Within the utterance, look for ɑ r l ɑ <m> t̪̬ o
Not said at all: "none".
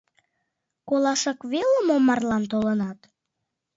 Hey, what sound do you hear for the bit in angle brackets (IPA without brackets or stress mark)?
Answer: n